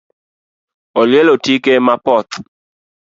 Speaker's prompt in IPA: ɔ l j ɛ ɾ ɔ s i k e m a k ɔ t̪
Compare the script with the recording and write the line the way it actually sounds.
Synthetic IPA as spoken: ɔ l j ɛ l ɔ t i k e m a p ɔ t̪